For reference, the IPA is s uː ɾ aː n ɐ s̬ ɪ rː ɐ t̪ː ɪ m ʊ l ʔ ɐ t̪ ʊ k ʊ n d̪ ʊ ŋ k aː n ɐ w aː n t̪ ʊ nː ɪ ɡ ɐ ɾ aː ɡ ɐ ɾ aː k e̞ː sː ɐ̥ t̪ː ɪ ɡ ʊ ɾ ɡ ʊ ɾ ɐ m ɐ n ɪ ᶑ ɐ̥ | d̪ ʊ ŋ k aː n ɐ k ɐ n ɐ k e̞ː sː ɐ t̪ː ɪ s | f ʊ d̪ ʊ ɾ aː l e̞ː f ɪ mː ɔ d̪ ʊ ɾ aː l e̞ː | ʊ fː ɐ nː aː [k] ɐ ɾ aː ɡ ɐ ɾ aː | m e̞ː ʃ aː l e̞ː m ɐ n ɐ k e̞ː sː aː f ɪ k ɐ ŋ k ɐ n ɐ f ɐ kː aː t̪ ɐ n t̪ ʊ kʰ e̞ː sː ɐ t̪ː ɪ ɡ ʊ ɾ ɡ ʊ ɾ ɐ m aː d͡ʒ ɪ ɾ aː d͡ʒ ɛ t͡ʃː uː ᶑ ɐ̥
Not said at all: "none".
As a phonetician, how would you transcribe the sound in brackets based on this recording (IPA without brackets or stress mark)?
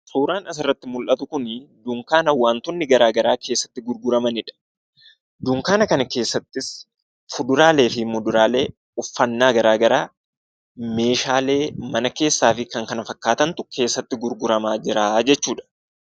ɡ